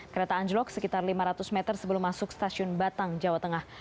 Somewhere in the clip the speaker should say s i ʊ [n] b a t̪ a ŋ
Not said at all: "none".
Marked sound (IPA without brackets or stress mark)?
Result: n